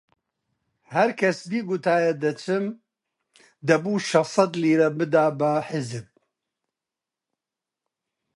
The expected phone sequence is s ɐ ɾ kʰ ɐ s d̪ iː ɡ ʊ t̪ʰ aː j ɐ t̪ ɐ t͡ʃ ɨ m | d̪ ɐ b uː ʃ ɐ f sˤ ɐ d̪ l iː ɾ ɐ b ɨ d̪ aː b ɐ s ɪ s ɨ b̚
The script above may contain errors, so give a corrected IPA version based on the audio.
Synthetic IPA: h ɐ ɾ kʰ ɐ s d̪ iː ɡ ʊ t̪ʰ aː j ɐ d̪ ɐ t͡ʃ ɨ m | d̪ ɐ b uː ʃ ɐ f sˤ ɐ d̪ l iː ɾ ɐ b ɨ d̪ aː b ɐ ħ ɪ z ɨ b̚